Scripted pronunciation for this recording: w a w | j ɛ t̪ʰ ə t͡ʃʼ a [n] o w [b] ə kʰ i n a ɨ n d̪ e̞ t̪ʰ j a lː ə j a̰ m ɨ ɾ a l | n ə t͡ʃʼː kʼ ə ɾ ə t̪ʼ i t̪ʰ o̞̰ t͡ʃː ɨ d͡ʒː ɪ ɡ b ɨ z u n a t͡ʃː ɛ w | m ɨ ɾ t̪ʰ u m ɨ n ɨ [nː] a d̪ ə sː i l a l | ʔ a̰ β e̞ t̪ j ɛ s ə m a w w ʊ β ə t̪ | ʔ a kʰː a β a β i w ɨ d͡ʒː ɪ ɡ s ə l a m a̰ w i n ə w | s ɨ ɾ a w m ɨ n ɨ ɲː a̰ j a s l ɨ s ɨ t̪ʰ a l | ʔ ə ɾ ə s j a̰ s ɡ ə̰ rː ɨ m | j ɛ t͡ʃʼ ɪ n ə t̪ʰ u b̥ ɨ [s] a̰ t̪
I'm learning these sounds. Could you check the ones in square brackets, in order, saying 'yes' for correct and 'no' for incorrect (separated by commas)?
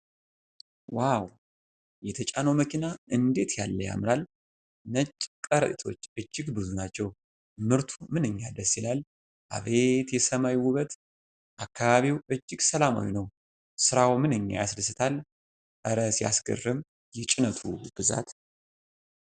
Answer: yes, no, no, no